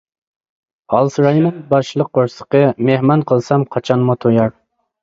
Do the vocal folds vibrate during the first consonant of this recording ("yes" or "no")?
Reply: yes